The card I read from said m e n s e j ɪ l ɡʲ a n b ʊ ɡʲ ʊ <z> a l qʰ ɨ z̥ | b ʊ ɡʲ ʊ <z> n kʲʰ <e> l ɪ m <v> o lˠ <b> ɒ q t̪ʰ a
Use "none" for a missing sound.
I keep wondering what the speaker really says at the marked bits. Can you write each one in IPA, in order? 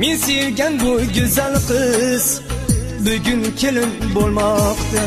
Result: z, none, e, b, m

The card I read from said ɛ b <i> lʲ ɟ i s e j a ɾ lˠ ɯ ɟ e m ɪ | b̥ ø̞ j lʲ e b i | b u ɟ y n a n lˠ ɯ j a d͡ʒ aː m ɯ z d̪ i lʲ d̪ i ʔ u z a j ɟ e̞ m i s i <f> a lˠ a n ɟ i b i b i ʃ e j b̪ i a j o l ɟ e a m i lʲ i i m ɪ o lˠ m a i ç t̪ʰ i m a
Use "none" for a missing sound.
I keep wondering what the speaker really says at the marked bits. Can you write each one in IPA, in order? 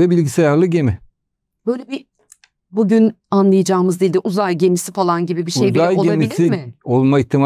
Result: i, f

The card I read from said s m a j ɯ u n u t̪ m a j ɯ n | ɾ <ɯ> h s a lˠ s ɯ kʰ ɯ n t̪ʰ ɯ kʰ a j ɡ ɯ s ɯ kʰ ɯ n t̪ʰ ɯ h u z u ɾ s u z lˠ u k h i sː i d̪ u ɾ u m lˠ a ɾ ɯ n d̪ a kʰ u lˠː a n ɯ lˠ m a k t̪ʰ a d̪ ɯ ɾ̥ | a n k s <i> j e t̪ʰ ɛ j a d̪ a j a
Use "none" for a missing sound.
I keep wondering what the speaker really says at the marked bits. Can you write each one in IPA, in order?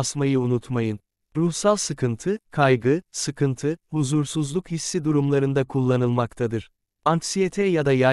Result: u, i

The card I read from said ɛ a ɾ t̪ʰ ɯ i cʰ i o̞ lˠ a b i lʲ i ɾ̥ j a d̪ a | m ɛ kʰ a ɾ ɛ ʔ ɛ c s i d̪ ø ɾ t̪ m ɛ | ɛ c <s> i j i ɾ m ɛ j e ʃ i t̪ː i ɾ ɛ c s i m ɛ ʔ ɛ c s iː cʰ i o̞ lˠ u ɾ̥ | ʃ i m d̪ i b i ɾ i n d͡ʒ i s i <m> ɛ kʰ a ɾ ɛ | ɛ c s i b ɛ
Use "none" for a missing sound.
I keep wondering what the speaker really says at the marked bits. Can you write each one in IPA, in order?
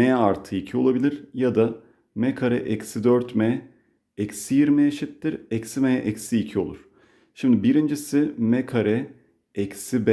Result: s, m

